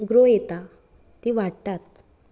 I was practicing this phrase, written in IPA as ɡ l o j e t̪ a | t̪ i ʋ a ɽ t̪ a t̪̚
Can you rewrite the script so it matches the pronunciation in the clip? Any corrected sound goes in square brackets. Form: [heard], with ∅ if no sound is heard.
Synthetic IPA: ɡ [ɾ] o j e t̪ a | t̪ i ʋ a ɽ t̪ a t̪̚